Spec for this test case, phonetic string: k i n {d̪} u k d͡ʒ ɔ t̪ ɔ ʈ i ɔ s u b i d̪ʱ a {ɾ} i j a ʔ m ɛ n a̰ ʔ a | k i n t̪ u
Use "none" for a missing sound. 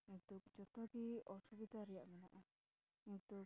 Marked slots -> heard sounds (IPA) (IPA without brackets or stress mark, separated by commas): t̪, ɾ